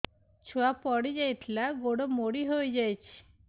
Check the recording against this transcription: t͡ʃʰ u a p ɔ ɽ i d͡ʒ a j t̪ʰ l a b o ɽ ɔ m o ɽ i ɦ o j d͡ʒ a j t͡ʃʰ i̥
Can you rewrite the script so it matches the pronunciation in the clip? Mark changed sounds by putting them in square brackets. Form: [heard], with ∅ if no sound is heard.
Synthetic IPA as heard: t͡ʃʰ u a p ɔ ɽ i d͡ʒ a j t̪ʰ l a [ɡ] o ɽ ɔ m o ɽ i ɦ o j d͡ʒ a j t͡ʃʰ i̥